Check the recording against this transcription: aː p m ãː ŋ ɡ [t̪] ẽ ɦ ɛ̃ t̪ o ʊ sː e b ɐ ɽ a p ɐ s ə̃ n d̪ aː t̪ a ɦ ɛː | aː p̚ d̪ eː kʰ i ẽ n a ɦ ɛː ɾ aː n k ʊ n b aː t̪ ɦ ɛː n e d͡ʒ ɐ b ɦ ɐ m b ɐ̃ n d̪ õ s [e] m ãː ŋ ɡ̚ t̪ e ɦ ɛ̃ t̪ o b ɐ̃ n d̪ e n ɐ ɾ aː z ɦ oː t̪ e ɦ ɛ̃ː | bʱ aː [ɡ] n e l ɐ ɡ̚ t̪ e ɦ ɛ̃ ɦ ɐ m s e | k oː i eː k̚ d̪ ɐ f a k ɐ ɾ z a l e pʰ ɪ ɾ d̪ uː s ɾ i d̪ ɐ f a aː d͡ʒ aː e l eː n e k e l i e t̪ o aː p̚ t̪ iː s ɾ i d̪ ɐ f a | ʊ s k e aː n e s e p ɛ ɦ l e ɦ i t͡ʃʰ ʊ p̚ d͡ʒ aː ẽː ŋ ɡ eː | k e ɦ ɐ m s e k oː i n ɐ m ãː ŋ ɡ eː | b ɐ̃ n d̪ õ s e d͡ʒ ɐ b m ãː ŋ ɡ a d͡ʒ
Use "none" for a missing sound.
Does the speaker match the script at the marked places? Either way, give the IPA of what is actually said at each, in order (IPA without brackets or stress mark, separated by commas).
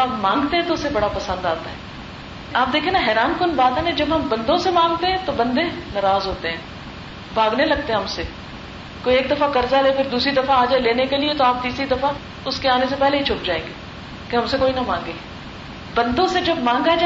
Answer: t̪, e, ɡ